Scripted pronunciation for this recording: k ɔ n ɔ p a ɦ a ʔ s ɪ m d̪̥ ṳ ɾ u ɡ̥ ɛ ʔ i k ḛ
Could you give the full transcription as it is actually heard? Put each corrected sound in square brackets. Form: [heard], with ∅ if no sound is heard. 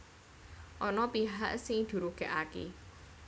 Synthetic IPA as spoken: [ʔ] ɔ n ɔ p [i] ɦ a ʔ s ɪ [ŋ] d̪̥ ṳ ɾ u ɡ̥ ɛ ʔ [a] k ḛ